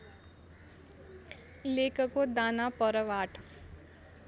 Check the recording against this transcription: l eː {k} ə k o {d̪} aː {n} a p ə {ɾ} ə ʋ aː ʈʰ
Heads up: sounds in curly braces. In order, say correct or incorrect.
correct, correct, correct, correct

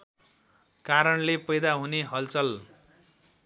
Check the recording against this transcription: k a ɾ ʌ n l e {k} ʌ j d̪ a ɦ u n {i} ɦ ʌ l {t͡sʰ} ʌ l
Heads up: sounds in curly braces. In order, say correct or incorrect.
incorrect, incorrect, incorrect

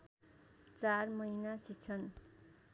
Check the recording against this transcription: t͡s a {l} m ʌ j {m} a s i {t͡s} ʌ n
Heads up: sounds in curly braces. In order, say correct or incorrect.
incorrect, incorrect, incorrect

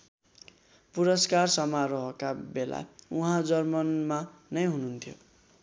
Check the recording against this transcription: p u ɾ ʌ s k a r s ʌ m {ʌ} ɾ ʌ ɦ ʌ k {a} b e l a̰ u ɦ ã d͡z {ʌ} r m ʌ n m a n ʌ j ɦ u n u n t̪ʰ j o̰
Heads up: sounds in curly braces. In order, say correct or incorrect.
incorrect, correct, correct

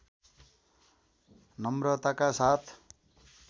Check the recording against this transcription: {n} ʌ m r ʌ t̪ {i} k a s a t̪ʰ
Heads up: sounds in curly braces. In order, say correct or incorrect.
correct, incorrect

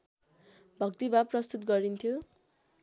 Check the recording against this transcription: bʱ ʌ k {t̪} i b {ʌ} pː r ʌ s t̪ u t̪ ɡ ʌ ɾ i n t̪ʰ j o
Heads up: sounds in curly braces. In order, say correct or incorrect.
correct, incorrect

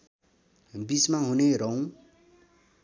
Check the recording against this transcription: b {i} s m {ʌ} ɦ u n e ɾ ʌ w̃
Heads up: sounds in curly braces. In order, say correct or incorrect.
correct, incorrect

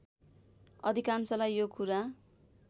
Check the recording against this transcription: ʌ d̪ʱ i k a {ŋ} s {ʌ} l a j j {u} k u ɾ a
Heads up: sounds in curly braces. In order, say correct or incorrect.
incorrect, correct, incorrect

